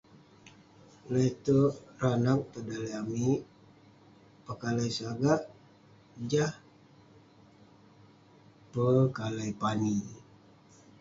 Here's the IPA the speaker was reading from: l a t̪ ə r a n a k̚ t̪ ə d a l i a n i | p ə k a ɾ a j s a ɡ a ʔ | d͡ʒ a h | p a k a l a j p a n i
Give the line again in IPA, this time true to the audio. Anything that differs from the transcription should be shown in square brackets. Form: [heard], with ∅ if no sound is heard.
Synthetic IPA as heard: l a t̪ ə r a n a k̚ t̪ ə d a l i a [m] i | p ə k a [l] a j s a ɡ a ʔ | d͡ʒ a h | p [ə] k a l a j p a n i

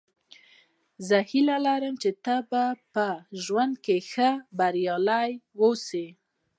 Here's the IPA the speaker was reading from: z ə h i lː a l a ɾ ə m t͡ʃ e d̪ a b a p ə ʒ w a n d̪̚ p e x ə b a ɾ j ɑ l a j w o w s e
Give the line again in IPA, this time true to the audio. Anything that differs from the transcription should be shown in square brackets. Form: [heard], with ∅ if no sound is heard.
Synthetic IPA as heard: z ə h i [l] a l a ɾ ə m t͡ʃ e [t̪] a b a p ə ʒ w a n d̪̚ [k] e x ə b a ɾ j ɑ l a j w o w s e

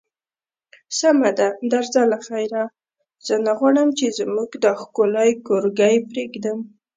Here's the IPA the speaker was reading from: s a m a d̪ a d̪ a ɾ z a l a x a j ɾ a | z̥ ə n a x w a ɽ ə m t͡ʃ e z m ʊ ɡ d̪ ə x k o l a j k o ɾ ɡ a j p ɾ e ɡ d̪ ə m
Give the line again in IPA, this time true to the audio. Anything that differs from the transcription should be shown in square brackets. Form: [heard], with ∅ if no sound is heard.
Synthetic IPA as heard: s a m a d̪ a d̪ a ɾ z a l a x a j ɾ a | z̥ ə n a [ɣ] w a ɽ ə m t͡ʃ e z m [u] ɡ d̪ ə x k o l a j k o ɾ ɡ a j p ɾ e ɡ d̪ ə m

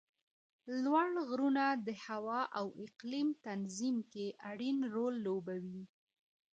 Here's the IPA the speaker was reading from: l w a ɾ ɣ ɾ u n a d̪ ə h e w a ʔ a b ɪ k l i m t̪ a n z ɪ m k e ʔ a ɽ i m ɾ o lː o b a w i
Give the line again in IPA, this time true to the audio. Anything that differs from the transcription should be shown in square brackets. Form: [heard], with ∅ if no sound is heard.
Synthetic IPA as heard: l w a [ɽ] ɣ ɾ u n a d̪ ə h [a] w [ɑ] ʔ a [w] ɪ [q] l i m t̪ a n z [i] m k e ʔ a ɽ i [n] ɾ o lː o b a w i

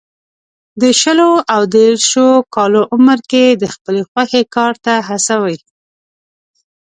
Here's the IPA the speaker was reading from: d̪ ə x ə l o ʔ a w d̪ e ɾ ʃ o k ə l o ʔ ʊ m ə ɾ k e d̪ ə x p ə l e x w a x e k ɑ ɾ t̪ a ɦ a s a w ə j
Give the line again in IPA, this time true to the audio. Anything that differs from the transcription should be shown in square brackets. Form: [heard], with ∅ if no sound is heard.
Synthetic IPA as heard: d̪ ə [ʃ] ə l o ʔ a w d̪ e ɾ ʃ o k [ɑ] l o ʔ ʊ m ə ɾ k e d̪ ə x p ə l e x w a x e k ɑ ɾ t̪ a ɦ a s a w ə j

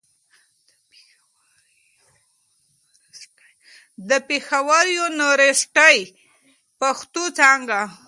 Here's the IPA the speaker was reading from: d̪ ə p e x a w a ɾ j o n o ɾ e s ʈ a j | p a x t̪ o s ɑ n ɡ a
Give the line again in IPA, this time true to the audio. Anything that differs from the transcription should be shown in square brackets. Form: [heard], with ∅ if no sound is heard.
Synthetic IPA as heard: d̪ ə p e x a w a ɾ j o n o ɾ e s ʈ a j | p a x t̪ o [t͡s] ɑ [ŋ] ɡ a

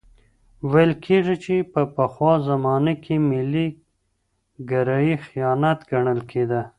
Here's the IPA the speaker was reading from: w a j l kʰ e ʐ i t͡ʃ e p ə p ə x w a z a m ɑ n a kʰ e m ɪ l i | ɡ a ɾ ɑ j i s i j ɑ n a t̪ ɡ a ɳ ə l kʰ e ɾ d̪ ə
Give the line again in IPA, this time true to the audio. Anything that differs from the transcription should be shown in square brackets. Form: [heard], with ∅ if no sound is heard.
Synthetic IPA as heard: w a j l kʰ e ʐ i t͡ʃ e p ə p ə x w [ɑ] z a m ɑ n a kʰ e m ɪ l i | ɡ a ɾ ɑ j i [x] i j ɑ n a t̪ ɡ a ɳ ə l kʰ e [∅] d̪ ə

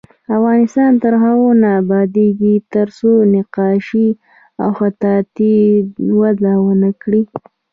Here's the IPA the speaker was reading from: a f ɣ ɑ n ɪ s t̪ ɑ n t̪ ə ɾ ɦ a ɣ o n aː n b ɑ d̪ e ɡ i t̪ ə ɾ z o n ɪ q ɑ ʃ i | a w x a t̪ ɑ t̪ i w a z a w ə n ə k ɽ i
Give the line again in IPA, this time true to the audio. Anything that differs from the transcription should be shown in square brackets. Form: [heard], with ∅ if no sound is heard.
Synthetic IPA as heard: a f ɣ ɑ n ɪ s t̪ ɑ n t̪ ə ɾ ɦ a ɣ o n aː [∅] b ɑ d̪ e ɡ i t̪ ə ɾ [s] o n ɪ q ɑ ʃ i | a w x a t̪ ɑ t̪ i w a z a w ə n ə k ɽ i

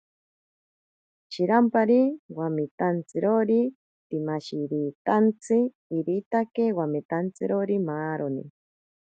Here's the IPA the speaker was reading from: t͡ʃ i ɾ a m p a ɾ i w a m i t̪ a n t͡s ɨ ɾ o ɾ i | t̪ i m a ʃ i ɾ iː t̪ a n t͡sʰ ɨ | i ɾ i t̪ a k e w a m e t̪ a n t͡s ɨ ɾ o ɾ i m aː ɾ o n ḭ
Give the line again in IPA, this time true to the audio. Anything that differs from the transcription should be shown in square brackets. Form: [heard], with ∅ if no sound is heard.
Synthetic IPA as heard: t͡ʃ i ɾ a m p a ɾ i w a m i t̪ a n t͡s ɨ ɾ o ɾ i | t̪ i m a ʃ i ɾ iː t̪ a n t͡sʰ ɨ | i ɾ i t̪ a k e w a m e t̪ a n t͡s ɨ ɾ o ɾ i m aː ɾ o n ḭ

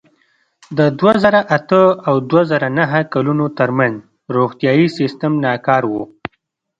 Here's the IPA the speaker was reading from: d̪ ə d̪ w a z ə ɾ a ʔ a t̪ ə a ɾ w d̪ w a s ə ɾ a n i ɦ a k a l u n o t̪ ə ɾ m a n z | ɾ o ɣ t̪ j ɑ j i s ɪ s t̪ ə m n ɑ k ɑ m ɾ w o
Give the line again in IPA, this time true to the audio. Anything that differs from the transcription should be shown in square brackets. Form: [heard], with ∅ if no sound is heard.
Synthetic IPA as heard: d̪ ə d̪ w a z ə ɾ a ʔ a t̪ ə a [∅] w d̪ w a [z] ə ɾ a n [a] ɦ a k a l u n o t̪ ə ɾ m a n z | ɾ o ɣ t̪ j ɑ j i s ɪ s t̪ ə m n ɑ k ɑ [∅] ɾ w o

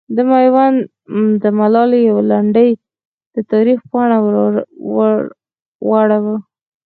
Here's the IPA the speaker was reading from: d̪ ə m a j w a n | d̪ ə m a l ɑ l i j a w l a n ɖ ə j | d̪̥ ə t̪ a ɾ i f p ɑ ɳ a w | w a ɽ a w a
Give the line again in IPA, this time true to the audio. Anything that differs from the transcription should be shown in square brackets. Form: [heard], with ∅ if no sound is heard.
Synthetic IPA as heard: d̪ ə m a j w a n | d̪ ə m a l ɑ l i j a w l a [ɳ] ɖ ə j | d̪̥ ə t̪ [ɑ] ɾ i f p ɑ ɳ a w | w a ɽ a w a

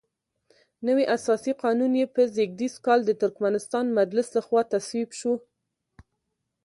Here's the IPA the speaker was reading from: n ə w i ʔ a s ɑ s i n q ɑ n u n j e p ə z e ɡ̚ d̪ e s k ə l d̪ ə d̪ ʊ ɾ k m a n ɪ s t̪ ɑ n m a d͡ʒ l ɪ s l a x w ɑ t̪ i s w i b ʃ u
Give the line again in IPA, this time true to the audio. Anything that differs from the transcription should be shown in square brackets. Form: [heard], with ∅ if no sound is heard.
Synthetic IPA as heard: n ə w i ʔ a s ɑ s i [∅] q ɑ n u n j e p ə z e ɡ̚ d̪ [i] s k [ɑ] l d̪ ə [t̪] ʊ ɾ k m a n ɪ s t̪ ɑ n m a d͡ʒ l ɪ s l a x w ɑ t̪ [a] s w i b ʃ u

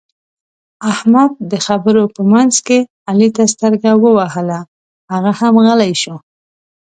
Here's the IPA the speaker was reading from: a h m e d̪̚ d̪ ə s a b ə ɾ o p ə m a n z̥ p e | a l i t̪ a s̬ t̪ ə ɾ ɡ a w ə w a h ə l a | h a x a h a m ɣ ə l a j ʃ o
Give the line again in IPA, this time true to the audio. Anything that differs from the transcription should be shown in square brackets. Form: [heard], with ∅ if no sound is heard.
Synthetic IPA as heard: a h m [a] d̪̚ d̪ ə [x] a b ə ɾ o p ə m a n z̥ [k] e | a l i t̪ a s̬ t̪ ə ɾ ɡ a w ə w a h ə l a | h a [ɣ] a h a m ɣ ə l a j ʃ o

